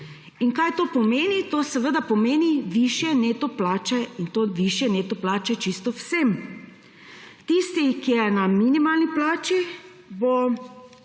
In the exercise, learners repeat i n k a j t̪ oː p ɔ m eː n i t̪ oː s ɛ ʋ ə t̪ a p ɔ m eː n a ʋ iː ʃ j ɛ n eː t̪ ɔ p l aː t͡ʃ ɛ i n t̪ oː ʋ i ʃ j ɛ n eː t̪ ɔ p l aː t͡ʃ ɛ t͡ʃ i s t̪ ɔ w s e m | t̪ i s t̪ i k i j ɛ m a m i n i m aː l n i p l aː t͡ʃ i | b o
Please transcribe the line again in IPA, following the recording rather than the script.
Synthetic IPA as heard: i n k a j t̪ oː p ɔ m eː n i t̪ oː s ɛ ʋ ə d̪ a p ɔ m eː n i ʋ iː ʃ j ɛ n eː t̪ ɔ p l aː t͡ʃ ɛ i n t̪ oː ʋ i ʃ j ɛ n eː t̪ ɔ p l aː t͡ʃ ɛ t͡ʃ i s t̪ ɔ w s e m | t̪ i s t̪ i k i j ɛ n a m i n i m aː l n i p l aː t͡ʃ i | b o

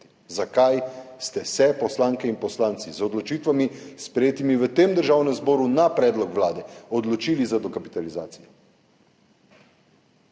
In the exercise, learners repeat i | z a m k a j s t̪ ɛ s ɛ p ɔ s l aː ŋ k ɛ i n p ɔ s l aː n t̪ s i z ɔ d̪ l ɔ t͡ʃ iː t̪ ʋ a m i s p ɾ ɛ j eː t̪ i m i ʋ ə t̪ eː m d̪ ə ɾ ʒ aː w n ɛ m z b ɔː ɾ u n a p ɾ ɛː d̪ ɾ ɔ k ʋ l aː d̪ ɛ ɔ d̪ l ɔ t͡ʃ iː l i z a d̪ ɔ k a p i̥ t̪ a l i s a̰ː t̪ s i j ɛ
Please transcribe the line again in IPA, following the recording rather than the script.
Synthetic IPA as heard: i | z a k a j s t̪ ɛ s ɛ p ɔ s l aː ŋ k ɛ i n p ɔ s l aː n t̪ s i z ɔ d̪ l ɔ t͡ʃ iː t̪ ʋ a m i s p ɾ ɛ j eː t̪ i m i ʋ ə t̪ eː m d̪ ə ɾ ʒ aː w n ɛ m z b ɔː ɾ u n a p ɾ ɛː d̪ l ɔ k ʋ l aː d̪ ɛ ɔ d̪ l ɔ t͡ʃ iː l i z a d̪ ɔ k a p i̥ t̪ a l i z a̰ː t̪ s i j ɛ

